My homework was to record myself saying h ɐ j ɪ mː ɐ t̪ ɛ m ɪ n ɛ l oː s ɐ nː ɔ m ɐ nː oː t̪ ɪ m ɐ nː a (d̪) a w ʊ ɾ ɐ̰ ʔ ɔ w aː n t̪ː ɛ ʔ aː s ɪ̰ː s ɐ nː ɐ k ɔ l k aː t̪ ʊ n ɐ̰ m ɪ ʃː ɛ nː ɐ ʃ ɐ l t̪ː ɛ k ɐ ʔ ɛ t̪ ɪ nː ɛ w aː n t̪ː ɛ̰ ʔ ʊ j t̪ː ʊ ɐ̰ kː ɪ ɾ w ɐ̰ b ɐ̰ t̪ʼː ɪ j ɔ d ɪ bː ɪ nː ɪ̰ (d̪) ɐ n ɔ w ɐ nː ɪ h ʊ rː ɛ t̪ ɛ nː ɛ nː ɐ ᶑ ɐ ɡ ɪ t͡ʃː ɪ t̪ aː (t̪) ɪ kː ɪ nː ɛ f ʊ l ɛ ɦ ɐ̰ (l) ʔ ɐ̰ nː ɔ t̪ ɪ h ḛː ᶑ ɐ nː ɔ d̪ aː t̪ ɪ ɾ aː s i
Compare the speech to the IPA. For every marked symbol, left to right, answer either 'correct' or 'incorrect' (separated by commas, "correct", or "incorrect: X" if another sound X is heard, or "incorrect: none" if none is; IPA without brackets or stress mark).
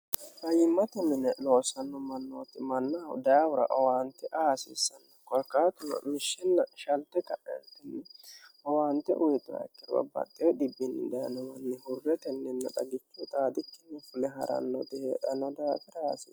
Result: correct, correct, incorrect: d̪, incorrect: ɾ